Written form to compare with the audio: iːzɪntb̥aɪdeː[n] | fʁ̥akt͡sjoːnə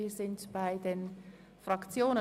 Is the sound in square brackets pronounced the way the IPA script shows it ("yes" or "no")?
yes